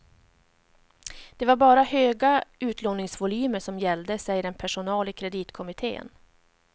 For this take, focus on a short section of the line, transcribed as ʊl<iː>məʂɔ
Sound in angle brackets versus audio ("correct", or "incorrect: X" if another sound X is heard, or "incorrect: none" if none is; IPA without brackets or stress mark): incorrect: yː